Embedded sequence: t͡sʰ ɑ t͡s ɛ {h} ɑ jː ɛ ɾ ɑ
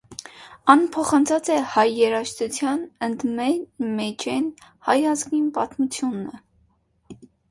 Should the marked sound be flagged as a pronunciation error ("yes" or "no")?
no